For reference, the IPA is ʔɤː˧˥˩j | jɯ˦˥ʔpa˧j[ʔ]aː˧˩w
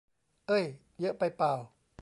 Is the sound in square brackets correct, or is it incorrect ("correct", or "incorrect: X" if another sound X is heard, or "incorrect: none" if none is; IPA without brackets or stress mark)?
incorrect: p